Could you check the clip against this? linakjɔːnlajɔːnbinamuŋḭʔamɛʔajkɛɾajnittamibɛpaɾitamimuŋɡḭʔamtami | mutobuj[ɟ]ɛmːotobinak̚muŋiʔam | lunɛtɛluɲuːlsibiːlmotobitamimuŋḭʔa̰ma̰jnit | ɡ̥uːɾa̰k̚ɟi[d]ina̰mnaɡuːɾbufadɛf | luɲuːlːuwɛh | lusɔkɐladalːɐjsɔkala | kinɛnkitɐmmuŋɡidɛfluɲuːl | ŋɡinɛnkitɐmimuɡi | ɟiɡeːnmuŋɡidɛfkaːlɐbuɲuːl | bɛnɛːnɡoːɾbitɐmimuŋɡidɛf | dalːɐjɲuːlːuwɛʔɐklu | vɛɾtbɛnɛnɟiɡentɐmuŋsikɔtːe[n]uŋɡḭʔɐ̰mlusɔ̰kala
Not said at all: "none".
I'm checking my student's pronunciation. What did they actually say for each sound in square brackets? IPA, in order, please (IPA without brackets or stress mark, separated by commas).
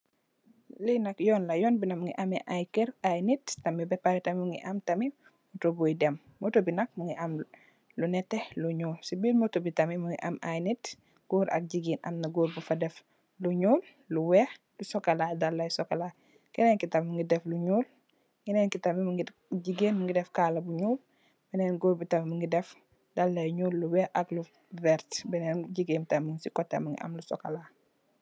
d, ɡ, m